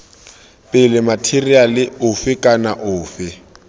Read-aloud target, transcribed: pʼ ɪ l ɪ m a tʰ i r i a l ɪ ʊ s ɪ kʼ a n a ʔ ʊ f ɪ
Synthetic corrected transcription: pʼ ɪ l ɪ m a tʰ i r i a l ɪ ʊ f ɪ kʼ a n a ʔ ʊː f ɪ